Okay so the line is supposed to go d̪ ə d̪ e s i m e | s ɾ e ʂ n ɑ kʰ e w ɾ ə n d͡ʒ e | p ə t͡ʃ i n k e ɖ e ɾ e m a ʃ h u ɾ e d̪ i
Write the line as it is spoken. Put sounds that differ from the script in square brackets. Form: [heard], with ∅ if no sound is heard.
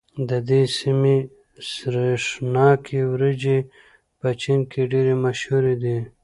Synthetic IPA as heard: d̪ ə d̪ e s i m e | s ɾ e ʂ n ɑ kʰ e w ɾ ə [∅] d͡ʒ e | p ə t͡ʃ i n k e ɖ e ɾ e m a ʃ h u ɾ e d̪ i